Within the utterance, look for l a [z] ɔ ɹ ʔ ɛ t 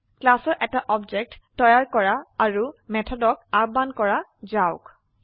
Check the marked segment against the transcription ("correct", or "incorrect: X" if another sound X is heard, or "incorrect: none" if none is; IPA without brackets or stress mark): incorrect: s